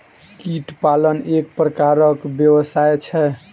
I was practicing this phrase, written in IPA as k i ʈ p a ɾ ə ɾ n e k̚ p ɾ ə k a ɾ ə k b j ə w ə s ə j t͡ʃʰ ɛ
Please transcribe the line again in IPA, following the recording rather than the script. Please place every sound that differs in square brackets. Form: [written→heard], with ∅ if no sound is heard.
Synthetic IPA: k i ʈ p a [ɾ→l] ə [ɾ→∅] n e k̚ p ɾ ə k a ɾ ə k b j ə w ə s [ə→a] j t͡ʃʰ ɛ